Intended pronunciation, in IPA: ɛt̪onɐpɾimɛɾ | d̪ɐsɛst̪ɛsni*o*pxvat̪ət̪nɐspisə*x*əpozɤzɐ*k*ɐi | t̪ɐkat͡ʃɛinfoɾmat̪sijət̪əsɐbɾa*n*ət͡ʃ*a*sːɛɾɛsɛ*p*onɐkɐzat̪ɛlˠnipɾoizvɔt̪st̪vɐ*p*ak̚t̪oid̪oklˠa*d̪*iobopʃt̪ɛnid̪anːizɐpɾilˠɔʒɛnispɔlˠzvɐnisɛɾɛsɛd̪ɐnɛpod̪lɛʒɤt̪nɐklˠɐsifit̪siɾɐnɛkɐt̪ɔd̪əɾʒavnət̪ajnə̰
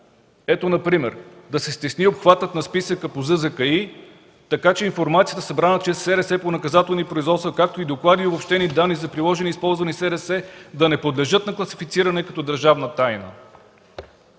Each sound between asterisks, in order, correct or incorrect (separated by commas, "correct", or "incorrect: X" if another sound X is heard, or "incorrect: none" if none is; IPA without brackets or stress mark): correct, incorrect: k, correct, correct, incorrect: ɛ, correct, incorrect: k, correct